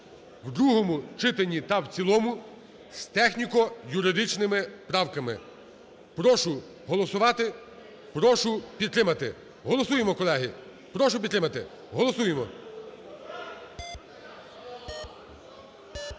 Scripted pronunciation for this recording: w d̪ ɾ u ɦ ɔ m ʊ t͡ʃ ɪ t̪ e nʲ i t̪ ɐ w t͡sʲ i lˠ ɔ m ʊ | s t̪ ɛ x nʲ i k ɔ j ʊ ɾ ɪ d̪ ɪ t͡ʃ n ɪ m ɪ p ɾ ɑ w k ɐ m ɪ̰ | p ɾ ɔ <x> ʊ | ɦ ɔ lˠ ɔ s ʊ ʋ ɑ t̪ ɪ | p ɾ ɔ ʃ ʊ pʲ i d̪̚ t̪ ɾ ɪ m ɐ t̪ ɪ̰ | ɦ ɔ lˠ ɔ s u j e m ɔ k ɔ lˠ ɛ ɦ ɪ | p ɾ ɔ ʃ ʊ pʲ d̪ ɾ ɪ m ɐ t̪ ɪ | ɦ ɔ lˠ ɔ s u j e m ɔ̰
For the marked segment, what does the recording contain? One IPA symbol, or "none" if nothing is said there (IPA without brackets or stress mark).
ʃ